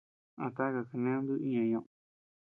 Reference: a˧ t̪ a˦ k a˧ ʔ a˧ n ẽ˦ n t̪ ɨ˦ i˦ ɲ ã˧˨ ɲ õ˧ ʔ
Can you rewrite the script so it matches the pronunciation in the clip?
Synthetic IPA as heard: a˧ t̪ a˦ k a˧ k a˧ n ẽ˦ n d̪ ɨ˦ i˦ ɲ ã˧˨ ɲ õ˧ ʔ